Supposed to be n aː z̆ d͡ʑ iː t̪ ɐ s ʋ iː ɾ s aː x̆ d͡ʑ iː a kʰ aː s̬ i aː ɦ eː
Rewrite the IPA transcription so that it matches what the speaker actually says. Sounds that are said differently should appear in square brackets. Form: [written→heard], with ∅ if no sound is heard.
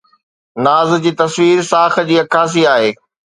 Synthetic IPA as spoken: n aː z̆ d͡ʑ iː t̪ ɐ s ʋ iː ɾ s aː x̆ d͡ʑ iː [a→ɐ] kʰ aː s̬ i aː ɦ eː